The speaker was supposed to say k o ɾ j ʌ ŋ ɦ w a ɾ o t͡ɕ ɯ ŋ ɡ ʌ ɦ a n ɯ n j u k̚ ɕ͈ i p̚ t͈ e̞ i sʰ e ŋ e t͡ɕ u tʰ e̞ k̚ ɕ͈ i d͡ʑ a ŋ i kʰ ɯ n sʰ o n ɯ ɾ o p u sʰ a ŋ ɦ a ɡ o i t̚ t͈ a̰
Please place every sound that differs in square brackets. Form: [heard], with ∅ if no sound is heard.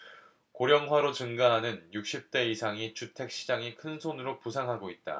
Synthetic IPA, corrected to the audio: k o ɾ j ʌ ŋ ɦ w a ɾ o t͡ɕ ɯ ŋ ɡ [a] ɦ a n ɯ n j u k̚ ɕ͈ i p̚ t͈ e̞ i sʰ [a] ŋ [i] t͡ɕ u tʰ e̞ k̚ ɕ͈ i d͡ʑ a ŋ i kʰ ɯ n sʰ o n ɯ ɾ o p u sʰ a ŋ ɦ a ɡ o i t̚ t͈ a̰